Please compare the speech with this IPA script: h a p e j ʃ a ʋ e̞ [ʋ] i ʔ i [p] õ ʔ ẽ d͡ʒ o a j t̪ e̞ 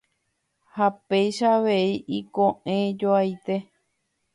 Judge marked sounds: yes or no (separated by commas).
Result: no, no